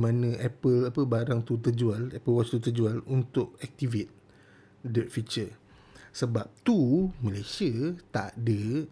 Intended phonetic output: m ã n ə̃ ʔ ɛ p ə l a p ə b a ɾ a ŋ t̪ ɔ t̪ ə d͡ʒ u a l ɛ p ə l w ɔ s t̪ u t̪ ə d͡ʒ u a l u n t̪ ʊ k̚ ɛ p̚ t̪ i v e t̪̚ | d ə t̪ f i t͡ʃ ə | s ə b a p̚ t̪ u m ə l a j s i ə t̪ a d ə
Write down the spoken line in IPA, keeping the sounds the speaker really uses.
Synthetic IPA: m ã n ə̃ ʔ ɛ p ə l a p ə b a ɾ a ŋ t̪ u t̪ ə d͡ʒ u a l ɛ p ə l w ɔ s t̪ u t̪ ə d͡ʒ u a l u n t̪ ʊ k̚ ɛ k̚ t̪ i v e t̪̚ | d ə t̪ f i t͡ʃ ə | s ə b a p̚ t̪ u m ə l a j s i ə t̪ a d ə